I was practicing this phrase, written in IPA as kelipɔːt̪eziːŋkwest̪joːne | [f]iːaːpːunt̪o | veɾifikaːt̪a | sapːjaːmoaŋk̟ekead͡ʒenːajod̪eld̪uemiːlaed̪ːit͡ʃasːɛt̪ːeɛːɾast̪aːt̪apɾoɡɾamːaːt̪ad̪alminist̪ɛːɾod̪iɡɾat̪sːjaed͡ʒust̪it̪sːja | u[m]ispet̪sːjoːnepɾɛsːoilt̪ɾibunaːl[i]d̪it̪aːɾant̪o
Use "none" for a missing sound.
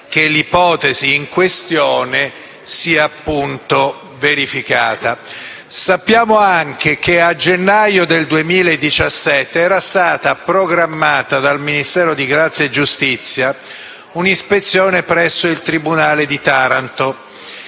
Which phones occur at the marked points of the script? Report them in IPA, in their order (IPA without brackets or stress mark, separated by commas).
s, n, e